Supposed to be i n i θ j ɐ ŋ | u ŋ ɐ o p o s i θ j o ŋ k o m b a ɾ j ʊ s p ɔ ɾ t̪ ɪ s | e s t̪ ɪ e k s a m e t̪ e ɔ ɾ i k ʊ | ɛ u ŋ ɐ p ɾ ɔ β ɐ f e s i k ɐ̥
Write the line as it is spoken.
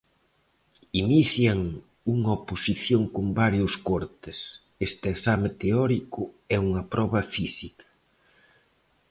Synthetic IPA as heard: i n i θ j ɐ ŋ | u ŋ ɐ o p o s i θ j o ŋ k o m b a ɾ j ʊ s k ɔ ɾ t̪ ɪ s | e s t̪ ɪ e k s a m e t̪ e ɔ ɾ i k ʊ | ɛ u ŋ ɐ p ɾ ɔ β ɐ f i s i k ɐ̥